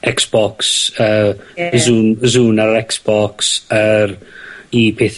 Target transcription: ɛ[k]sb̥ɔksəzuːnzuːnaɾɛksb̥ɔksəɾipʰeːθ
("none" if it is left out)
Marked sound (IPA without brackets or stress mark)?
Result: k